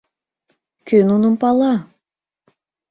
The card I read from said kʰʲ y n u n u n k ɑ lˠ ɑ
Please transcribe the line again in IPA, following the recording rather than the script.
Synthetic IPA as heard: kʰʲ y n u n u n p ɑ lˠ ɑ